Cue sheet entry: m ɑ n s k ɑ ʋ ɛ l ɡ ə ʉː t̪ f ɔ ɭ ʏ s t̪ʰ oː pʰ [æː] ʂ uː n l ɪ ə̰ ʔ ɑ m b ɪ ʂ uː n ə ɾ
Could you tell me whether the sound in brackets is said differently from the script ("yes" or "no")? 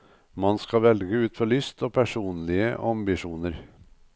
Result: yes